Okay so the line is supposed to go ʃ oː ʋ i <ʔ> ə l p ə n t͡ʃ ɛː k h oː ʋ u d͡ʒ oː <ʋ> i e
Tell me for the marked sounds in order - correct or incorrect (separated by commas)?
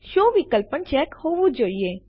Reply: incorrect, incorrect